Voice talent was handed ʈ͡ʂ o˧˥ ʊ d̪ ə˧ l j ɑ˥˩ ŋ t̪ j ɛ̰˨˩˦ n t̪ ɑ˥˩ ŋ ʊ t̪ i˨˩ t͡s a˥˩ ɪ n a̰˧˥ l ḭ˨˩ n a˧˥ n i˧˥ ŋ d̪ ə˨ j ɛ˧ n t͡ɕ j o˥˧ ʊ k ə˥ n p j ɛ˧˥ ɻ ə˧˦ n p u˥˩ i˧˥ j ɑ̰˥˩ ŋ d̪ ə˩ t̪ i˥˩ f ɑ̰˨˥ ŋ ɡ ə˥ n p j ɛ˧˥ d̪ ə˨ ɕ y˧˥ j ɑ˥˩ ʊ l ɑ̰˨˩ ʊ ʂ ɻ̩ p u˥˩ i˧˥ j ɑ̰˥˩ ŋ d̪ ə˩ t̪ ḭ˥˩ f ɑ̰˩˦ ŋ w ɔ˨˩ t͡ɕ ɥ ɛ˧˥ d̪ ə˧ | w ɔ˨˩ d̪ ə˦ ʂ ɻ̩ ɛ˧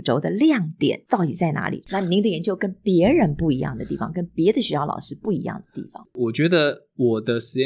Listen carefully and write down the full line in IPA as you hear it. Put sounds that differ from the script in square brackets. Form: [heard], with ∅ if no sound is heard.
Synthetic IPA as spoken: ʈ͡ʂ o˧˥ ʊ d̪ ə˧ l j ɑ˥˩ ŋ t̪ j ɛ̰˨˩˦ n t̪ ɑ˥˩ [∅] ʊ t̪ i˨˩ t͡s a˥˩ ɪ n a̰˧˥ l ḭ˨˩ n [a˥˩] n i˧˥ ŋ d̪ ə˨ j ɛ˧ n t͡ɕ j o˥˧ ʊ k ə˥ n p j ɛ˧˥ ɻ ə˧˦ n p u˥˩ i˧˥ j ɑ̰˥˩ ŋ d̪ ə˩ t̪ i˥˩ f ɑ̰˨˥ ŋ [k] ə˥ n p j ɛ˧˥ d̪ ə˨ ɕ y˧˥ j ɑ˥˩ ʊ l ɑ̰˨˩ ʊ ʂ ɻ̩ p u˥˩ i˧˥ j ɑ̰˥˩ ŋ d̪ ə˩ t̪ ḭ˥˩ f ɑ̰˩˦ ŋ w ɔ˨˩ t͡ɕ ɥ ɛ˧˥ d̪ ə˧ | w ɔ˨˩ d̪ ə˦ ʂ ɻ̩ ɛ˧